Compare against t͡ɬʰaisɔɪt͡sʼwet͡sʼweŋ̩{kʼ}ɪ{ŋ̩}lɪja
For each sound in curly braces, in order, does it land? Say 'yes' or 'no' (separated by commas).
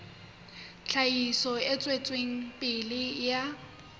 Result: no, no